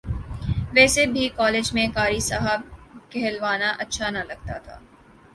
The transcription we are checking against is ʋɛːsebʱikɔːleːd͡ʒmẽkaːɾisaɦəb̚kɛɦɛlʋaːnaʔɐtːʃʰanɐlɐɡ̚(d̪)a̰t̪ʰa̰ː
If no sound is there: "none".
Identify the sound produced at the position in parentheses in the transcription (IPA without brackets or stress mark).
t̪